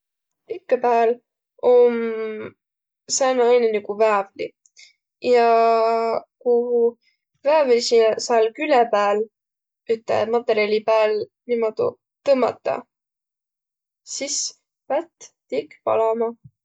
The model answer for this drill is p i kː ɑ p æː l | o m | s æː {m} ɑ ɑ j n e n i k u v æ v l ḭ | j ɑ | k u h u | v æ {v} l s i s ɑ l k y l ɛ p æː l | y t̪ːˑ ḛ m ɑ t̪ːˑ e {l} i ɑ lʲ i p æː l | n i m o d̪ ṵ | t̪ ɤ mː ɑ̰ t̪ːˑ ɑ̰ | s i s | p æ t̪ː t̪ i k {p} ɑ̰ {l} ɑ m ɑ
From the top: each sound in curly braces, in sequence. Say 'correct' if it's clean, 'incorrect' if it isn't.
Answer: incorrect: n, correct, incorrect: ɾ, correct, correct

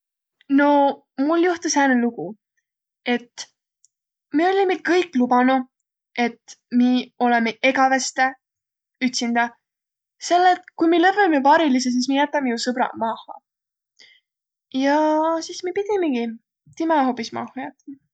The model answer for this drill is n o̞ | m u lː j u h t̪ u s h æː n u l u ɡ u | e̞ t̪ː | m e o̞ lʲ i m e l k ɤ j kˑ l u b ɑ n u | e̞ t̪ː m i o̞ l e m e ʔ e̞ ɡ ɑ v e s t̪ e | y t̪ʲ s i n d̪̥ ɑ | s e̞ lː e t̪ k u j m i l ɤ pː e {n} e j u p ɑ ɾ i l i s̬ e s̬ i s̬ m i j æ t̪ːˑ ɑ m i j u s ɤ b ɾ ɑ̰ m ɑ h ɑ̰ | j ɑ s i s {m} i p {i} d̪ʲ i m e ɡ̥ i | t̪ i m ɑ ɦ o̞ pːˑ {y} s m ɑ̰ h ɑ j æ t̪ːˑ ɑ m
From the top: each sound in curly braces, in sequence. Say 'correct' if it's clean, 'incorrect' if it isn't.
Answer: incorrect: m, correct, correct, incorrect: i

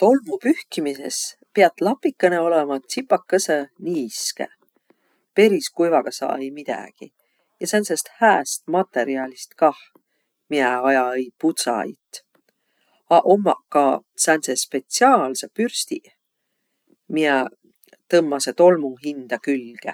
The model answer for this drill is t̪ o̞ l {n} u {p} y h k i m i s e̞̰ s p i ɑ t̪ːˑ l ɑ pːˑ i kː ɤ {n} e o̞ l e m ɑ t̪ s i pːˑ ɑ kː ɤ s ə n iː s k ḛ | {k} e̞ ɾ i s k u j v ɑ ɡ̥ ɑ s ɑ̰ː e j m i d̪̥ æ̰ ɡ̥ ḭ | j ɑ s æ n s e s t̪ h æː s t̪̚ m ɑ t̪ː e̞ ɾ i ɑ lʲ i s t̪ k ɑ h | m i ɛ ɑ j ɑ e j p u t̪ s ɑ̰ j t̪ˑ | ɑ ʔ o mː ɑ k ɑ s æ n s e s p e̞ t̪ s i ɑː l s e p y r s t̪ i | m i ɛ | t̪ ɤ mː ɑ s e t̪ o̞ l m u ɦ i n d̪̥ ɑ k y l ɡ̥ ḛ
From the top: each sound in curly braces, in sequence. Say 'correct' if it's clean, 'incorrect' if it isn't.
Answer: incorrect: m, correct, correct, incorrect: p

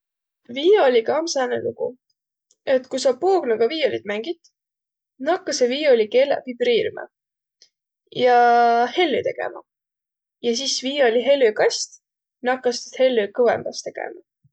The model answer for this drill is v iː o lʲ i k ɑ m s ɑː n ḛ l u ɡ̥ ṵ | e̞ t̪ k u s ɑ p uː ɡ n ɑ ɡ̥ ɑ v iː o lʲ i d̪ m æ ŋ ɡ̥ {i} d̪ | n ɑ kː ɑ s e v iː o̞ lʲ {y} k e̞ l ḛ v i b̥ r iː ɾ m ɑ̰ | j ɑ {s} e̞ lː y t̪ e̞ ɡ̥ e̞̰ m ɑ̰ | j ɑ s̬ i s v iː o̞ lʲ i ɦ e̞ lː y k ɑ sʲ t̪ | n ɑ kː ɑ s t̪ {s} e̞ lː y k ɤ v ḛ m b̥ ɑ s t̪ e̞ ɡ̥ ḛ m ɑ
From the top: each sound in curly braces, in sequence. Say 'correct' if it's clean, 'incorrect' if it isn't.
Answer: correct, incorrect: i, incorrect: h, incorrect: h

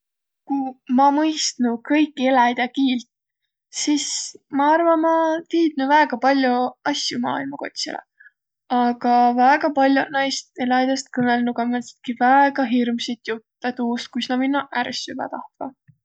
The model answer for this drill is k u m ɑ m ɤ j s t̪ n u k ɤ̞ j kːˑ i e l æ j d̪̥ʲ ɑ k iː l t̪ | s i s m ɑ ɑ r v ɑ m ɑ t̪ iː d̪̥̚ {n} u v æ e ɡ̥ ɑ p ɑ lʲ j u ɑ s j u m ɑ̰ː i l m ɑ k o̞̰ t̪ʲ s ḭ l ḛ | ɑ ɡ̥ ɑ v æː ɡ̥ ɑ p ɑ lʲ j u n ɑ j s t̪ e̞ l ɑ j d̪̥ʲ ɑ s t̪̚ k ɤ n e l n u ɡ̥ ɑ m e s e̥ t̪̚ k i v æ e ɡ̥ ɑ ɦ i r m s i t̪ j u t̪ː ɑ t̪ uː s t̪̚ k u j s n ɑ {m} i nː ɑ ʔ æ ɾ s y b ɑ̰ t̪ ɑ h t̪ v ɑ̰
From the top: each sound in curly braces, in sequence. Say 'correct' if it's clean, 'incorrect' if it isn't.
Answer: correct, correct

